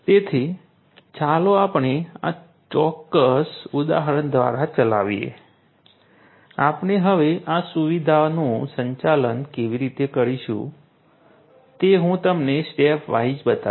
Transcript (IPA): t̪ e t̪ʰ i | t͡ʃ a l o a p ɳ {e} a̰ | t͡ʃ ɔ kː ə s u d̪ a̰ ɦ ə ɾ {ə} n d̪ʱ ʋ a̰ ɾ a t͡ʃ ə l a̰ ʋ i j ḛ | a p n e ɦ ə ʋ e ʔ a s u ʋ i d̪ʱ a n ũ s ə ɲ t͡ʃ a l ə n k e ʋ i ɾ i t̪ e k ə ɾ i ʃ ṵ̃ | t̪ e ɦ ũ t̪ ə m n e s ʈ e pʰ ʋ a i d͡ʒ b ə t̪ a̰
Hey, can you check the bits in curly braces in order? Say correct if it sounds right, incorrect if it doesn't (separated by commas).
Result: correct, correct